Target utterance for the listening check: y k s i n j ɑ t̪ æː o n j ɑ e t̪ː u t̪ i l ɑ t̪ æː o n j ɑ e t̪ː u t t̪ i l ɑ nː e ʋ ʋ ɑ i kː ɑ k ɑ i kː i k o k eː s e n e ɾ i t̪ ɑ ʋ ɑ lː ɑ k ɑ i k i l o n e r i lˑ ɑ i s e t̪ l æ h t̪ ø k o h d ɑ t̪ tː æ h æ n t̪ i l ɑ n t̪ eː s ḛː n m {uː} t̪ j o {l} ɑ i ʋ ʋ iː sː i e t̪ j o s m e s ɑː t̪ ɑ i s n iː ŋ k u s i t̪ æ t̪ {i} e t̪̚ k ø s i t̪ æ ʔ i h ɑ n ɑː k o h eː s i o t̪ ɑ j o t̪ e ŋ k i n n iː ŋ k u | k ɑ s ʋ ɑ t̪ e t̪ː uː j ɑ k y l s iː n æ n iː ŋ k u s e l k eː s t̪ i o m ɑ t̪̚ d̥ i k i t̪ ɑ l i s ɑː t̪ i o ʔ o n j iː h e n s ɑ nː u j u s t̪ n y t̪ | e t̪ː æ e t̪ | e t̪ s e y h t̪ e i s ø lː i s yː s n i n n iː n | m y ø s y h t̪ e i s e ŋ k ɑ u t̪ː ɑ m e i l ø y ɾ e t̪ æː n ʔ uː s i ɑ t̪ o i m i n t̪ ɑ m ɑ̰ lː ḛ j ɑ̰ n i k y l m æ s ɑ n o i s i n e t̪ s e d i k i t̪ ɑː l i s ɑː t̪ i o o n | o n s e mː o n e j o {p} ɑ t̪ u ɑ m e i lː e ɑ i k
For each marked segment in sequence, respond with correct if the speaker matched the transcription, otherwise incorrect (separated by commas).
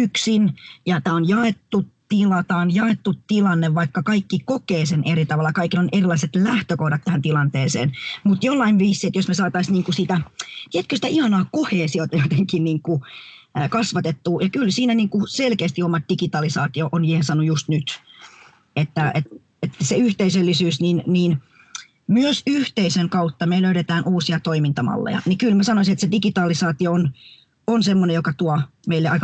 incorrect, incorrect, correct, incorrect